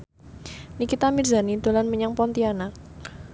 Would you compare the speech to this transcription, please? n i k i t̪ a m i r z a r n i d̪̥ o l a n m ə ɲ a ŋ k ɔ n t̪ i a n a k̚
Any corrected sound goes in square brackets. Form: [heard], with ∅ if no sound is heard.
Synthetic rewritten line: n i k i t̪ a m i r z a [∅] n i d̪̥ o l a n m ə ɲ a ŋ [p] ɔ n t̪ i a n a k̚